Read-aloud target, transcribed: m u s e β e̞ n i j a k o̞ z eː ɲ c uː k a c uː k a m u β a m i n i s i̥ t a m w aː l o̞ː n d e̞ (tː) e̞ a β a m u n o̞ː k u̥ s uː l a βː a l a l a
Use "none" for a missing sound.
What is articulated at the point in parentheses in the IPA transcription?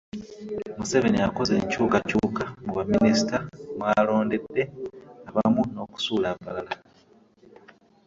dː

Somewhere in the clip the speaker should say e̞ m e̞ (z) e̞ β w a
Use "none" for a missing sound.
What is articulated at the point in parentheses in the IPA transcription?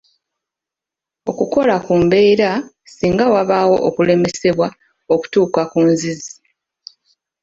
s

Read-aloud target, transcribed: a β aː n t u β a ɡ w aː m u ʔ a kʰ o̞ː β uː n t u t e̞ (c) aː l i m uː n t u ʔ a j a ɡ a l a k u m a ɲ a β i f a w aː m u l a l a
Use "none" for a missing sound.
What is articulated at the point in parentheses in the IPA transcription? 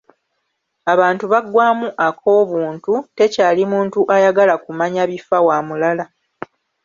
c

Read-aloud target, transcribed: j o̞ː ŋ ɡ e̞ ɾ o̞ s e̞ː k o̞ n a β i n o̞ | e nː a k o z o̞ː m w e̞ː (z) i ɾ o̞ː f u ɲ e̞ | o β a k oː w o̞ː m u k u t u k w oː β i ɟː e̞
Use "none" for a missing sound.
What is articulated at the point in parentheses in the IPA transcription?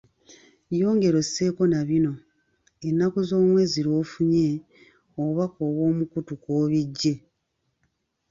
z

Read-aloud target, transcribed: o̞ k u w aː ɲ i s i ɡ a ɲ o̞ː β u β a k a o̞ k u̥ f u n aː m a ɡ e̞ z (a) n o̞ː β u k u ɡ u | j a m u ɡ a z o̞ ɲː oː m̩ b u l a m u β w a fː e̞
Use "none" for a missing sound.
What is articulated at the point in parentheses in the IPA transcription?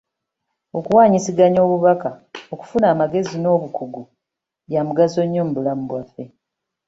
i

